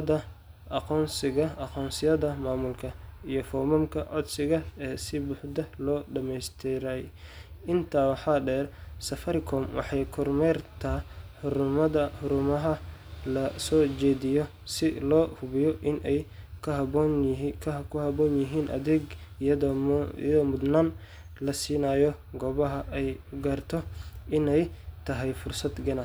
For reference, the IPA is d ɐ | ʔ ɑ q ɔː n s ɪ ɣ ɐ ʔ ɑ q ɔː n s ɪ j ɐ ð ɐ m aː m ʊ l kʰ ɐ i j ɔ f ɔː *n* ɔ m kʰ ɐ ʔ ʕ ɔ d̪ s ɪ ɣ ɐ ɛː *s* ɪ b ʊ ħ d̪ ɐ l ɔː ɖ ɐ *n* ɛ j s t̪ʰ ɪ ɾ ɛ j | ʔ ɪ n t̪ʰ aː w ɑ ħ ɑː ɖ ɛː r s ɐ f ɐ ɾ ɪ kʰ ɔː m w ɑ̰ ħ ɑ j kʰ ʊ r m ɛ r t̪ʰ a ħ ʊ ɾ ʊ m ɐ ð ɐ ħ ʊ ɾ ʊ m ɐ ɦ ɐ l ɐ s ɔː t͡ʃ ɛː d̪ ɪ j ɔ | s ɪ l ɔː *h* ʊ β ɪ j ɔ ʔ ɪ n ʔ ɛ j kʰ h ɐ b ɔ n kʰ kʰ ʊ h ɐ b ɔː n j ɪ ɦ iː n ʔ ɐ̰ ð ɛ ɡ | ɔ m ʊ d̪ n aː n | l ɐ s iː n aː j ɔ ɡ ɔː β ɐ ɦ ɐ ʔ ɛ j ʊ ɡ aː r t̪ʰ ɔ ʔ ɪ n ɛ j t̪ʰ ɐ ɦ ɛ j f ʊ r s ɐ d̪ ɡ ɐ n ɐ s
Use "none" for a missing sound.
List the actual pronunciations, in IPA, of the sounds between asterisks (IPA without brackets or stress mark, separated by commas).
m, s, m, h